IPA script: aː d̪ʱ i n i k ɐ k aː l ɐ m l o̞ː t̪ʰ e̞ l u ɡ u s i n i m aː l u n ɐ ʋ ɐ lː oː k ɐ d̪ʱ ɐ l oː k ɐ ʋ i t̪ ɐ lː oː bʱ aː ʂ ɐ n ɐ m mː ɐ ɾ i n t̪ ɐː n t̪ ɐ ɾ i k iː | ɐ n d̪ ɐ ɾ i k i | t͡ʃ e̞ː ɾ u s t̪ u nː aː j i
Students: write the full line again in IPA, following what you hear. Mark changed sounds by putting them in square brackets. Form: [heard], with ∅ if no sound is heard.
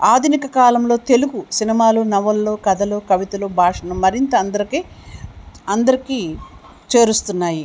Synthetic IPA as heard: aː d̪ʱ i n i k ɐ k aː l ɐ m l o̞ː [t̪] e̞ l u ɡ u s i n i m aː l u n ɐ ʋ ɐ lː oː k ɐ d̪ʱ ɐ l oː k ɐ ʋ i t̪ ɐ [l] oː bʱ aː ʂ ɐ n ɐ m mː ɐ ɾ i n t̪ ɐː n [d̪] ɐ ɾ i k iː | ɐ n d̪ ɐ ɾ i k i | t͡ʃ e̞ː ɾ u s t̪ u nː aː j i